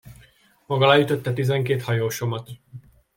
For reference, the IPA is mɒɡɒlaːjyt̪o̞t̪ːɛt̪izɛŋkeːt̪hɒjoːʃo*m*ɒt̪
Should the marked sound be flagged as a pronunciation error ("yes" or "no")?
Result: no